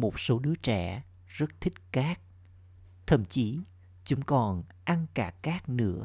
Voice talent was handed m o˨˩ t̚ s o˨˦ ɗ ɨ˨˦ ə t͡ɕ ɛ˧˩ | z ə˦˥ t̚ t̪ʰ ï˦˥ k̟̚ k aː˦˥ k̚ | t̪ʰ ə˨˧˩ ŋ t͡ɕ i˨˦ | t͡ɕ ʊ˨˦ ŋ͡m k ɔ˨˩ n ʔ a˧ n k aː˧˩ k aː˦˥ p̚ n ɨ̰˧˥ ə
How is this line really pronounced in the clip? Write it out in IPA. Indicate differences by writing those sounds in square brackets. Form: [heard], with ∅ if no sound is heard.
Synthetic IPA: m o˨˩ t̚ s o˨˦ ɗ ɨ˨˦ ə t͡ɕ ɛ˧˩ | z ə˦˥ t̚ t̪ʰ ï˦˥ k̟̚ k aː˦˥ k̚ | t̪ʰ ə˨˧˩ [m] t͡ɕ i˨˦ | t͡ɕ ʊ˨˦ ŋ͡m k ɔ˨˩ n ʔ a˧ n k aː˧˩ k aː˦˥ [k̚] n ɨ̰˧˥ ə